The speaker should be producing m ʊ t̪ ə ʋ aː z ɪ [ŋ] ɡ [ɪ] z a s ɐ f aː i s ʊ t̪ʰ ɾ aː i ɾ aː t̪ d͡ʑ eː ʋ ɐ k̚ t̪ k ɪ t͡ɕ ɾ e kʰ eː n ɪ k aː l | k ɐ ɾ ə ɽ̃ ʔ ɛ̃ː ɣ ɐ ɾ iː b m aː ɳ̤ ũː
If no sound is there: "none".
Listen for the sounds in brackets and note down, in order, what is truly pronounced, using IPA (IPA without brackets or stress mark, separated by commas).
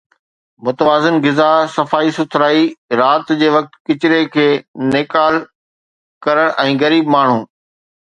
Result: n, ɪ